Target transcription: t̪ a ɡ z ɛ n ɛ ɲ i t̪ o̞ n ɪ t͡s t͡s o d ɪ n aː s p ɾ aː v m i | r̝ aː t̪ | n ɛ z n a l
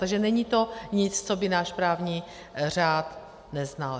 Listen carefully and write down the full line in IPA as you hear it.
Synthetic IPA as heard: t̪ a ɡ ʒ ɛ n ɛ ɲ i t̪ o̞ ɲ ɪ t͡s t͡s o b ɪ n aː ʃ p ɾ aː v ɲ i | r̝ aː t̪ | n ɛ z n a l

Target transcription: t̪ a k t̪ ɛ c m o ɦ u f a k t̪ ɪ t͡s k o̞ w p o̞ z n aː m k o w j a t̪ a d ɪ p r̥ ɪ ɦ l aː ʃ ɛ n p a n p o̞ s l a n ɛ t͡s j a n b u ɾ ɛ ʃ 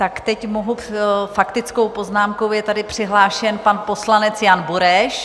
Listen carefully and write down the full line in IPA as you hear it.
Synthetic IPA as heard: t̪ a k t̪ ɛ c m o ɦ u f a k t̪ ɪ t͡s k o̞ w p o̞ z n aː m k o w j ɛ t̪ a d ɪ p r̥ ɪ ɦ l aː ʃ ɛ n p a n p o̞ s l a n ɛ t͡s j a n b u ɾ ɛ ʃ

